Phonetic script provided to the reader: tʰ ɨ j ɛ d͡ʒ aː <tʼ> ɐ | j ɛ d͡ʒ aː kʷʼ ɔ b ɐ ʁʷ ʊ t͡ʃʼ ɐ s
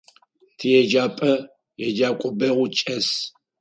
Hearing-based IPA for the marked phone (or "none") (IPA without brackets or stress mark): pʼ